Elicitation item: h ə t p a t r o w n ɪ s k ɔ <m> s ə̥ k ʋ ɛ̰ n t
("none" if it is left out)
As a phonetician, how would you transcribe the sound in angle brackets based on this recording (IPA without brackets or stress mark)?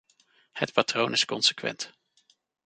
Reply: n